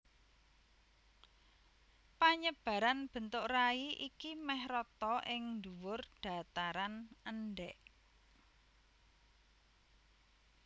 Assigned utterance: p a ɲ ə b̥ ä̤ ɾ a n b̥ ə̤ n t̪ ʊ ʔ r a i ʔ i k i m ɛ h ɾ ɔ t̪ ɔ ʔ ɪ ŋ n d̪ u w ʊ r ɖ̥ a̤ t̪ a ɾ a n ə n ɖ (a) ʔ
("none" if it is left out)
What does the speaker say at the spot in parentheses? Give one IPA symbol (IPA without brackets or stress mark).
ɛ